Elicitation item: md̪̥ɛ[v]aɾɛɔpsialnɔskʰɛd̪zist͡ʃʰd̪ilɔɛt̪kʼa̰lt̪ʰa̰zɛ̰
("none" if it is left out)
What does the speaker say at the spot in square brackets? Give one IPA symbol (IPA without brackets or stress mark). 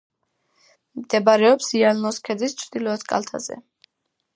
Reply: b